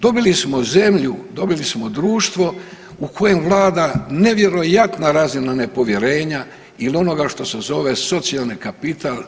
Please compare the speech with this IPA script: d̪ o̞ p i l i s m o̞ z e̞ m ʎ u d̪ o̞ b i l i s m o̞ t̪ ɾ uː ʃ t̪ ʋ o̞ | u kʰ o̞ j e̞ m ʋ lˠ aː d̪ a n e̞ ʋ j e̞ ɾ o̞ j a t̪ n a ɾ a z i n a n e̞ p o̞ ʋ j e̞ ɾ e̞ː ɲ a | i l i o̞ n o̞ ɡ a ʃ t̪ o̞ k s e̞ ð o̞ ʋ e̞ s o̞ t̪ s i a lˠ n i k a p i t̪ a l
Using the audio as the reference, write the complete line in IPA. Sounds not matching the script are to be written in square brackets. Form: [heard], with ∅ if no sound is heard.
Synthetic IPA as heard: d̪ o̞ [b] i l i s m o̞ z e̞ m ʎ u d̪ o̞ b i l i s m o̞ [d̪] ɾ uː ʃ t̪ ʋ o̞ | u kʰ o̞ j e̞ m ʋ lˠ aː d̪ a n e̞ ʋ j e̞ ɾ o̞ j a t̪ n a ɾ a z i n a n e̞ p o̞ ʋ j e̞ ɾ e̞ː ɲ a | i l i o̞ n o̞ ɡ a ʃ t̪ o̞ [∅] s e̞ [z] o̞ ʋ e̞ s o̞ t̪ s i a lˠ n i k a p i t̪ a l